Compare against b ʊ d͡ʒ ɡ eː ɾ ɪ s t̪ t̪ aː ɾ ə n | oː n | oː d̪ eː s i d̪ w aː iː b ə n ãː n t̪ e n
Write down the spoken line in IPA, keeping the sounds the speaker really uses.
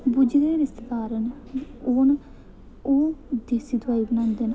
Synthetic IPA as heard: b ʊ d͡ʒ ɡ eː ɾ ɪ s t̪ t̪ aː ɾ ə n | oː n | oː d̪ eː s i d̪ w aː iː b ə n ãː n d̪ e n

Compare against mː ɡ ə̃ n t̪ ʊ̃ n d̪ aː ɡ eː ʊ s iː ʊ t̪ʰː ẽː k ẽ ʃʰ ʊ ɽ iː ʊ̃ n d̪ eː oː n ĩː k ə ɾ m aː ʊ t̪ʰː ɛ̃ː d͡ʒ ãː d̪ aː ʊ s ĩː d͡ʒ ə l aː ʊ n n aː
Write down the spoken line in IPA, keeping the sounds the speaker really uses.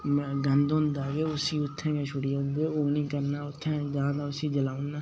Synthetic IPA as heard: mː ɡ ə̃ n d̪ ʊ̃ n d̪ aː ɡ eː ʊ s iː ʊ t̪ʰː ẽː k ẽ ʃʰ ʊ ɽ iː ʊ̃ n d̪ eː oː n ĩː k ə ɾ n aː ʊ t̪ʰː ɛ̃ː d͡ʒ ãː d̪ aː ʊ s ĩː d͡ʒ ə l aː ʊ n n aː

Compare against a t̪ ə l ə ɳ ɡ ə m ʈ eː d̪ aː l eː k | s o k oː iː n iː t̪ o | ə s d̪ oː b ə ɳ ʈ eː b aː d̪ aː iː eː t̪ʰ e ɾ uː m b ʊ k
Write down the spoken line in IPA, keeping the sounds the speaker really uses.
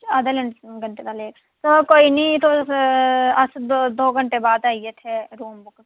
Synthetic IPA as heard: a d̪ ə l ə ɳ ɡ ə ɳ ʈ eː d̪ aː l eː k | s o k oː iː n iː t̪ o | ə s d̪ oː ɡ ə ɳ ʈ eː b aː d̪ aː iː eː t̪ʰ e ɾ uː m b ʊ k

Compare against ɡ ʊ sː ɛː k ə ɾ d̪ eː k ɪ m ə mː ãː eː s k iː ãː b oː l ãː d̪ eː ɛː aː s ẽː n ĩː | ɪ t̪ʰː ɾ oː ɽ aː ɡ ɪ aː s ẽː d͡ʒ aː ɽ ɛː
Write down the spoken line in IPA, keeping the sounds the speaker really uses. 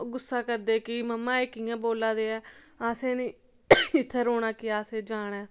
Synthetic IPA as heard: ɡ ʊ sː aː k ə ɾ d̪ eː k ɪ m ə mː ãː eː k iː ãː b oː l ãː d̪ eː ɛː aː s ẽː n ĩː | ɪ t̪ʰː ɾ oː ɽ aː k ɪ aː s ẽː d͡ʒ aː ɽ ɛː

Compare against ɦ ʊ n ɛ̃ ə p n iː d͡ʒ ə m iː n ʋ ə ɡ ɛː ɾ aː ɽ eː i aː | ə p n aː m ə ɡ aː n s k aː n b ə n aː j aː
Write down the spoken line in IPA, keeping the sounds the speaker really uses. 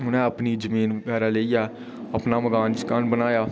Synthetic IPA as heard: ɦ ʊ n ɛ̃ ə p n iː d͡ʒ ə m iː n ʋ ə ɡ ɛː ɾ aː l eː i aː | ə p n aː m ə ɡ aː n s k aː n b ə n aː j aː

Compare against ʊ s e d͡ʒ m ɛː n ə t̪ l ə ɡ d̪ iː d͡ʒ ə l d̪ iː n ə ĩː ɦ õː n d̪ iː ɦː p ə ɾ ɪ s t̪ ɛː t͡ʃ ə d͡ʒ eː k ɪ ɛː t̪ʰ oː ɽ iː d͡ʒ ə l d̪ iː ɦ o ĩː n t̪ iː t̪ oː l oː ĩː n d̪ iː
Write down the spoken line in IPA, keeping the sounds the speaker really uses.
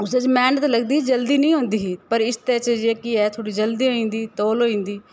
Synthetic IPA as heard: ʊ s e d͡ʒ m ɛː n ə t̪ l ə ɡ d̪ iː d͡ʒ ə l d̪ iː n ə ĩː ɦ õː n d̪ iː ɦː p ə ɾ ɪ s t̪ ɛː t͡ʃ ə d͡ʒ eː k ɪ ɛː t̪ʰ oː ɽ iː d͡ʒ ə l d̪ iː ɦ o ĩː n d̪ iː t̪ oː l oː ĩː n d̪ iː

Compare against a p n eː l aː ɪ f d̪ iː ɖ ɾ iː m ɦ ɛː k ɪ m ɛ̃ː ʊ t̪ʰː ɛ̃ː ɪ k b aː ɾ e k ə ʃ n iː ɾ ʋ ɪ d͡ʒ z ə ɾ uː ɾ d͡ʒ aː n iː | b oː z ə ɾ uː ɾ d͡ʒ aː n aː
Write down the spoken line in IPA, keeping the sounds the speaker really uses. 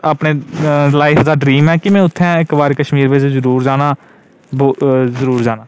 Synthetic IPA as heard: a p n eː l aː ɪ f d̪ aː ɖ ɾ iː m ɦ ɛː k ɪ m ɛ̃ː ʊ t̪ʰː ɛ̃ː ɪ k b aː ɾ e k ə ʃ m iː ɾ ʋ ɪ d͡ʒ z ə ɾ uː ɾ d͡ʒ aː n aː | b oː z ə ɾ uː ɾ d͡ʒ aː n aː

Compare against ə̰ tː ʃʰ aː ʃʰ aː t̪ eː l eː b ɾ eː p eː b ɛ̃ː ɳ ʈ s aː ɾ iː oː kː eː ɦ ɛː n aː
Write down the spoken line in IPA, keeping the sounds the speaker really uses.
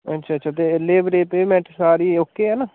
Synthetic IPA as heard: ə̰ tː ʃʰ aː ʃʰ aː t̪ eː l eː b ɾ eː p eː m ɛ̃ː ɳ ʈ s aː ɾ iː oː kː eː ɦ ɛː n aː

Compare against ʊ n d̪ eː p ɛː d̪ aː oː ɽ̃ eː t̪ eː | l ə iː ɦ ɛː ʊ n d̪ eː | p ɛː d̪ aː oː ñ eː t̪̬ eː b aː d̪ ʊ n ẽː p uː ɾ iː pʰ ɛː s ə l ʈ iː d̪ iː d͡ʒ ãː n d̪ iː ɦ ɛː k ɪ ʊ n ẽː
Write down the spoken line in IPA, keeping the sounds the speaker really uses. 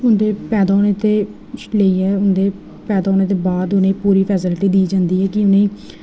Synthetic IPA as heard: ʊ n d̪ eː p ɛː d̪ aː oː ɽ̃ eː t̪ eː | l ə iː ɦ ɛː ʊ n d̪ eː | p ɛː d̪ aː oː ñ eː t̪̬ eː b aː d̪ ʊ n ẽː p uː ɾ iː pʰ ɛː s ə l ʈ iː d̪ iː d͡ʒ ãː n d̪ iː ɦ ɛː k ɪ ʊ n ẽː

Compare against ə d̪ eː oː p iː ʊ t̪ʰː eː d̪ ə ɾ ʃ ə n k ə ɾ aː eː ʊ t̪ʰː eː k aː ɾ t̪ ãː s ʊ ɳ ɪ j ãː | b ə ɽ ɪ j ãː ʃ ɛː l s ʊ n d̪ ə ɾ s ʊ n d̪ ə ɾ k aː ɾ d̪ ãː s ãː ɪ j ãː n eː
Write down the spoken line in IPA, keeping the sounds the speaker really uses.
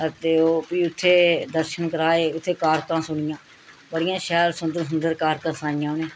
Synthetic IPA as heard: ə t̪ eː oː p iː ʊ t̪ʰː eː d̪ ə ɾ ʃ ə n k ə ɾ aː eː ʊ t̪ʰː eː k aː ɾ t̪ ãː s ʊ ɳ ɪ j ãː | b ə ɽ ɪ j ãː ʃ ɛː l s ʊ n d̪ ə ɾ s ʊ n d̪ ə ɾ k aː ɾ t̪ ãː s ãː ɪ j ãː n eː

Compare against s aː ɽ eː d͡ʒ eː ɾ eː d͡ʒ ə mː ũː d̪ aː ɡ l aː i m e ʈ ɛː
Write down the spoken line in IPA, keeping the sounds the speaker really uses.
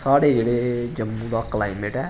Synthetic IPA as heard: s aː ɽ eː d͡ʒ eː ɽ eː d͡ʒ ə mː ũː d̪ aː k l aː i m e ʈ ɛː

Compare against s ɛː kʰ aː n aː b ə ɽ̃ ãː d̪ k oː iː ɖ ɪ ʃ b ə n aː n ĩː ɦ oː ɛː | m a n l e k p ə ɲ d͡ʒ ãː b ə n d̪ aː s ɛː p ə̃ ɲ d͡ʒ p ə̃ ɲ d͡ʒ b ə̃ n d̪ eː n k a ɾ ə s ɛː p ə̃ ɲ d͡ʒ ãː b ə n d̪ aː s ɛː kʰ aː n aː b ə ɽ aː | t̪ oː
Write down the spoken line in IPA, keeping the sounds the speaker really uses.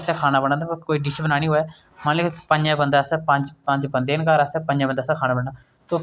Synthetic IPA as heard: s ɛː kʰ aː n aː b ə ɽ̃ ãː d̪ k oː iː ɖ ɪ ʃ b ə n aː n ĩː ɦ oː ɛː | m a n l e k p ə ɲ d͡ʒ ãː b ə n d̪ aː s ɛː p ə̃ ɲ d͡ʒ p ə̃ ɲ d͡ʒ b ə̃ n d̪ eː n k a ɾ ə s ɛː p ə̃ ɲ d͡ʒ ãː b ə n d̪ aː s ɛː kʰ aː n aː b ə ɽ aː | t̪ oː

